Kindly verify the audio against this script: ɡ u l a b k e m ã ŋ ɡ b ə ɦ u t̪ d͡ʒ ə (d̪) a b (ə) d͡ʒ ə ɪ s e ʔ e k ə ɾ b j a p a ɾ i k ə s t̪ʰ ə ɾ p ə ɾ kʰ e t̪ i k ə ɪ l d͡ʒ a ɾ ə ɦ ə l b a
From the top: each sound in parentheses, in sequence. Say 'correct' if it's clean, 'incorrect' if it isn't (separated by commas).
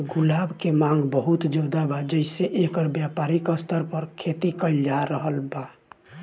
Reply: correct, incorrect